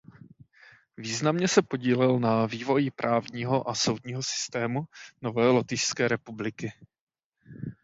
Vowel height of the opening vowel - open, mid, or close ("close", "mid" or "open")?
close